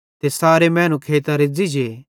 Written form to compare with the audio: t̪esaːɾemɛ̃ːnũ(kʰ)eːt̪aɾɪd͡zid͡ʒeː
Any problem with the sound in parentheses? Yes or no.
no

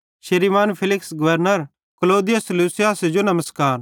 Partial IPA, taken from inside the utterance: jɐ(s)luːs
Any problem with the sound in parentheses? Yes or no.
no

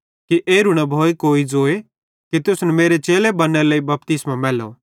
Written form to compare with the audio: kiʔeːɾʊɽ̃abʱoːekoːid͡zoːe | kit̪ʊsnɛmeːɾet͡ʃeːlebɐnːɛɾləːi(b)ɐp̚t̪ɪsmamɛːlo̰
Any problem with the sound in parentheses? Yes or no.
no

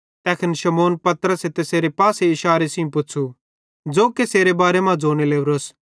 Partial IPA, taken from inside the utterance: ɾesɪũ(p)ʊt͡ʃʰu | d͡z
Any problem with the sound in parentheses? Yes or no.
no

